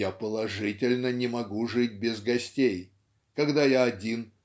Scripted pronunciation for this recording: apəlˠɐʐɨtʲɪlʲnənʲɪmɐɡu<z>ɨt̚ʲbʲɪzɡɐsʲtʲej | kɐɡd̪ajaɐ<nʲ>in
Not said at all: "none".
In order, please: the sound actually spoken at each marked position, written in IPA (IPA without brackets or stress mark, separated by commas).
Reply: ʐ, dʲ